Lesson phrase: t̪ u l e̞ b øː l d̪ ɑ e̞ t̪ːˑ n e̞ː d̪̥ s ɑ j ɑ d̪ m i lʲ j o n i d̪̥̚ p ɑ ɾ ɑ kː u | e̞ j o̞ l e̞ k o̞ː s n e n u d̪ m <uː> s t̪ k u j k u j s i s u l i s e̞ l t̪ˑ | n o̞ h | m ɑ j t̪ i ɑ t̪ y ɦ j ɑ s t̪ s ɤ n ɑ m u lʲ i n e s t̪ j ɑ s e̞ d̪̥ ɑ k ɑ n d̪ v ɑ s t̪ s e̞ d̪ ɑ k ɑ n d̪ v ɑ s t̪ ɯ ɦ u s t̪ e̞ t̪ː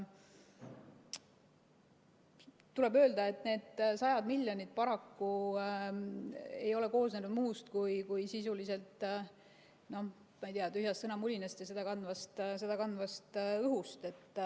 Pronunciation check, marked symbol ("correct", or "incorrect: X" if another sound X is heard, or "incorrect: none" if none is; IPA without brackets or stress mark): correct